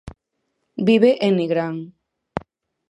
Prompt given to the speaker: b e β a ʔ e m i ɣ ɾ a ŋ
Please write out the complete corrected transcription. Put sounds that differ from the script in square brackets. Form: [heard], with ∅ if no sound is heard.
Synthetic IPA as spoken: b [i] β [e] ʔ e [n] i ɣ ɾ a ŋ